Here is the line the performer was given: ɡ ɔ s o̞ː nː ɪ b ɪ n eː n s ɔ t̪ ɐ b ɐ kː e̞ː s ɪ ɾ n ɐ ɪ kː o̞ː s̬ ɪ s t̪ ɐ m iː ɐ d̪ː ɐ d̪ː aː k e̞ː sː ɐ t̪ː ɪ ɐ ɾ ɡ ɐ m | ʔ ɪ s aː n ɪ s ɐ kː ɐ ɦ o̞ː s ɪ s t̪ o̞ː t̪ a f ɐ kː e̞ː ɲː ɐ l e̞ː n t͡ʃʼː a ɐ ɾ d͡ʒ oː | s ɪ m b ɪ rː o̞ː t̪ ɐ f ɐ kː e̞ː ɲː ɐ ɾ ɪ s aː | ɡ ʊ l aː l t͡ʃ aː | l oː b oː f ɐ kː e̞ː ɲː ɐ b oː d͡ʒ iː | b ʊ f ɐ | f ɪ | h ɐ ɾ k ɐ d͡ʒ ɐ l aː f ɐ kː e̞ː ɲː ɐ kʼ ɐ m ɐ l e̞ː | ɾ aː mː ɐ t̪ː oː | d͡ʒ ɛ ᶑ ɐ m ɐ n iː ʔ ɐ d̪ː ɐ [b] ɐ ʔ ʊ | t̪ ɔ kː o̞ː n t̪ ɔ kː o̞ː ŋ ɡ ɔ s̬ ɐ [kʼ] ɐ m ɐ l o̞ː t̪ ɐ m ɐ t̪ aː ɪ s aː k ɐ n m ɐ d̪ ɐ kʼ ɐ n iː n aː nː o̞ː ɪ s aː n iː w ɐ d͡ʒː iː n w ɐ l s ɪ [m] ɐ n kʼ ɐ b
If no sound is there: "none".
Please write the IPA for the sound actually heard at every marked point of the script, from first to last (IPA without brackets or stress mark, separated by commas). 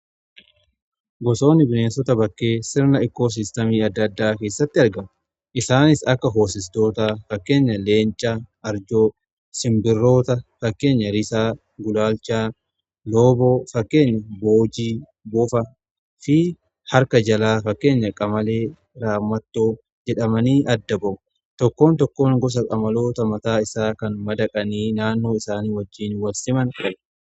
b, kʼ, m